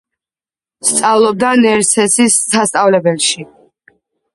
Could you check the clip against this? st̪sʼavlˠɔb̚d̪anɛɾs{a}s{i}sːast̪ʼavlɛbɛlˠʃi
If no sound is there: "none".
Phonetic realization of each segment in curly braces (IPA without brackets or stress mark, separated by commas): ɛ, i